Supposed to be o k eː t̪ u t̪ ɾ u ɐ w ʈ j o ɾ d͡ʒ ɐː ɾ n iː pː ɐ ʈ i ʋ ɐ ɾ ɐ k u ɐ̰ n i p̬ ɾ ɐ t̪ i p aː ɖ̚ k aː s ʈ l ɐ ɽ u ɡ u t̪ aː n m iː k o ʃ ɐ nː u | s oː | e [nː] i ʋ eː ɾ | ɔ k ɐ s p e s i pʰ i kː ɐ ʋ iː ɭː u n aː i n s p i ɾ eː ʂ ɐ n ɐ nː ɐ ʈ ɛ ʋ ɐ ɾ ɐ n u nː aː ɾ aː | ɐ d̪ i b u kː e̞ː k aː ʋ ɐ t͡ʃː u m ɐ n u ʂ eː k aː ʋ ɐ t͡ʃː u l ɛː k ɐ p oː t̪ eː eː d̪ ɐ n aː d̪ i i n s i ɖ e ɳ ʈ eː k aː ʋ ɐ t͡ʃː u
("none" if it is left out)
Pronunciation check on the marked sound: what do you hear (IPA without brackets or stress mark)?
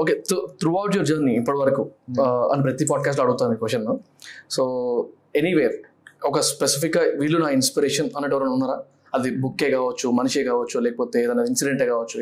n